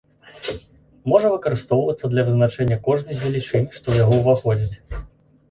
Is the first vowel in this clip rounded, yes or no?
yes